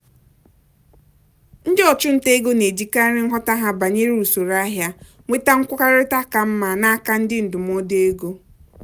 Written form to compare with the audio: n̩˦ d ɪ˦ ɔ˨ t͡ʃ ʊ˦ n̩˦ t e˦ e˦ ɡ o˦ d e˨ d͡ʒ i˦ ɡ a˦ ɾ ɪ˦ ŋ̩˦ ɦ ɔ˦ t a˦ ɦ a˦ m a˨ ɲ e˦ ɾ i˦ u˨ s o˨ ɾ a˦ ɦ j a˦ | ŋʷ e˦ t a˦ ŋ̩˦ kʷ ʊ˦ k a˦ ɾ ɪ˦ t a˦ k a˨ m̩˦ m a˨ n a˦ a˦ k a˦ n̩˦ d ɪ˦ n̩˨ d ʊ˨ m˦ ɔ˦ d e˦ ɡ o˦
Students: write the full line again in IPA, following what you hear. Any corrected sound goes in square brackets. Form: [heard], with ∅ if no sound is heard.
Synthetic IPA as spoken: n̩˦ d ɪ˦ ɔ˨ t͡ʃ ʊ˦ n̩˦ t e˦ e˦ ɡ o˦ [n] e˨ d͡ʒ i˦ [k] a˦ ɾ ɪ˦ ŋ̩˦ ɦ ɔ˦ t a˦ ɦ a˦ [b] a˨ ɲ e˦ ɾ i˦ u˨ s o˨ ɾ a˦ ɦ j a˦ | ŋʷ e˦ t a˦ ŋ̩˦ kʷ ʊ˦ k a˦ ɾ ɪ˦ t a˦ k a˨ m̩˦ m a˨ n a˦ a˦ k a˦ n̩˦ d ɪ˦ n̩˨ d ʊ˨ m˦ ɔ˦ d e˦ ɡ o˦